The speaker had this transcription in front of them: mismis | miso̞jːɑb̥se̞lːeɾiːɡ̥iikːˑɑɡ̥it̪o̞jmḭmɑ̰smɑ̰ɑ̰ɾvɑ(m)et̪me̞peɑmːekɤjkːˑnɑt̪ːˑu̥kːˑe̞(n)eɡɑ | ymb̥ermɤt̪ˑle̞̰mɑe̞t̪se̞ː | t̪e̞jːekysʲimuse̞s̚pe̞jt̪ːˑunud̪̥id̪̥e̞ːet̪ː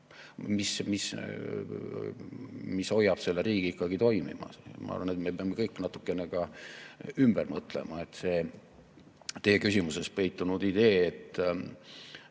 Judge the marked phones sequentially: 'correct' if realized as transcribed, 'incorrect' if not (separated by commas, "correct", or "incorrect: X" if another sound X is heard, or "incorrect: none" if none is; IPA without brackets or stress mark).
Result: incorrect: n, correct